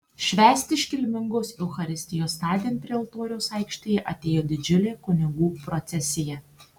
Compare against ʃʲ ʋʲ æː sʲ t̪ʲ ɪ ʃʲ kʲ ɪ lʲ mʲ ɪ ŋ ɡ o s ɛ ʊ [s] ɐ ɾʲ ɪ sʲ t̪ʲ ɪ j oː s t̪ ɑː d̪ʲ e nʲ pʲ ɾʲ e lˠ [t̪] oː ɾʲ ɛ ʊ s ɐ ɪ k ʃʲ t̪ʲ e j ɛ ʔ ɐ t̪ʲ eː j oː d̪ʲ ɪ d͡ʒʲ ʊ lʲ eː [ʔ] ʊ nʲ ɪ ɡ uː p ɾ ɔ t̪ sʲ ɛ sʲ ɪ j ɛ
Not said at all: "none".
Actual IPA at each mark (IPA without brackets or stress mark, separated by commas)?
x, t̪, k